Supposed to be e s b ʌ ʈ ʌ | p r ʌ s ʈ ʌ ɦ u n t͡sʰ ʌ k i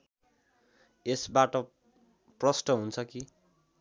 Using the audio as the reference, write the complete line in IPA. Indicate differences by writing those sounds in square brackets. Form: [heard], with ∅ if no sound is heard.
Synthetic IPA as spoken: e s b [a] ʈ ʌ | p r ʌ s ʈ ʌ ɦ u n t͡sʰ ʌ k i

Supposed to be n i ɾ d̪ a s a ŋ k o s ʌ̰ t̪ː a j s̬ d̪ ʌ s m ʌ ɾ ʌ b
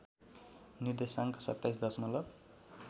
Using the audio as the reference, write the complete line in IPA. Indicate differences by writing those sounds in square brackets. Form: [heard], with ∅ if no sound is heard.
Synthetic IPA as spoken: n i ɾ d̪ [e] s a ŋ k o s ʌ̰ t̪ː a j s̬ d̪ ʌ s m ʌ [l] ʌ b

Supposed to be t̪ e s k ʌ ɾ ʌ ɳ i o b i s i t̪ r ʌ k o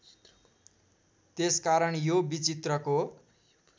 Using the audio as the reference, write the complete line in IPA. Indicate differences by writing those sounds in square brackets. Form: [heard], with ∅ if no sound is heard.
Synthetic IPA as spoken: t̪ e s k [a] ɾ ʌ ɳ [j] o b i [t͡s] i t̪ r ʌ k o

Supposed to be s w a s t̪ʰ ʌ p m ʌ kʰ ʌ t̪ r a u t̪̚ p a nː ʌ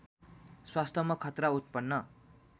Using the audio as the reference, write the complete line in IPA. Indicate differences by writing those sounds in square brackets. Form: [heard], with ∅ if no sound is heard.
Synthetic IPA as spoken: s w a s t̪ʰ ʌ [∅] m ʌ kʰ ʌ t̪ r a u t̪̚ p [ʌ] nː ʌ

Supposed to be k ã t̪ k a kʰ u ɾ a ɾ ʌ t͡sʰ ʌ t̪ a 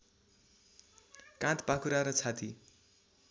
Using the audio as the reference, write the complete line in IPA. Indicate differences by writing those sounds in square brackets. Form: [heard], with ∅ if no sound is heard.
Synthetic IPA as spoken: k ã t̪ [p] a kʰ u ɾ a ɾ ʌ t͡sʰ [a] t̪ [i]

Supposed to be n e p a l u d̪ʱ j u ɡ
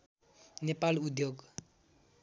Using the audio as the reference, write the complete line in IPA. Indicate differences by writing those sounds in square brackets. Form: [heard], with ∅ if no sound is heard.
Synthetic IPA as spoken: n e p a l u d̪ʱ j [o] ɡ

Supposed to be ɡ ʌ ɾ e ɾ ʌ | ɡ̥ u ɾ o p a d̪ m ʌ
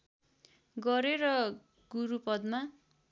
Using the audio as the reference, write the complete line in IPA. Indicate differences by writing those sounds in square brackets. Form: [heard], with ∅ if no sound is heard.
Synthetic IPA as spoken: ɡ ʌ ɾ e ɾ ʌ | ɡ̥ u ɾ [u] p [ʌ] d̪ m [a]

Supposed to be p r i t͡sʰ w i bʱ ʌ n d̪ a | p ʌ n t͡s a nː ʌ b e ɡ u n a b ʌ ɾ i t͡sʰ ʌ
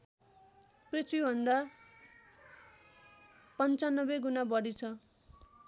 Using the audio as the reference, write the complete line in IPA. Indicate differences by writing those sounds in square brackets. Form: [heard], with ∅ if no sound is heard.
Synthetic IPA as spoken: p r i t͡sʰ w i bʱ ʌ n d̪ a | p ʌ n t͡s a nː ʌ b e ɡ u n a b ʌ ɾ i t͡sʰ ʌ

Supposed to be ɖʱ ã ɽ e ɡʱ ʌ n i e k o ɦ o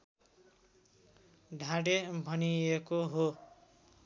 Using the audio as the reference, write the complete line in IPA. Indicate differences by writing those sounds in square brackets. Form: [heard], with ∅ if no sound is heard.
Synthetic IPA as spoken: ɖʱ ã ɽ e [bʱ] ʌ n i e k o ɦ o

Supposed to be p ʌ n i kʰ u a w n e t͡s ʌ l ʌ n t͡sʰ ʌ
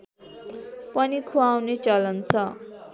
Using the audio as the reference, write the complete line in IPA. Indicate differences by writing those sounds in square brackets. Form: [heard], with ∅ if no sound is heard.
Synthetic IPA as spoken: p ʌ n i kʰ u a w n e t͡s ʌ l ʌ n t͡sʰ ʌ

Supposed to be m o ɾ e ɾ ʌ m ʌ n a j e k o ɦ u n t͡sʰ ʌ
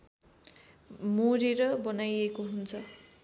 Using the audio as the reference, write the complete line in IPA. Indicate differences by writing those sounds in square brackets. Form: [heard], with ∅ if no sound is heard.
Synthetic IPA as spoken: m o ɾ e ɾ ʌ [b] ʌ n a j e k o ɦ u n t͡sʰ ʌ

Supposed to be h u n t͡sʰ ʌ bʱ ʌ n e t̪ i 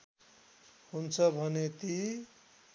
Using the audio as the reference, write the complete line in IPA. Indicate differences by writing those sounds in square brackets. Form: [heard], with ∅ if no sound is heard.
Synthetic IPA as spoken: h u n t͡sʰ ʌ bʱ ʌ n e t̪ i

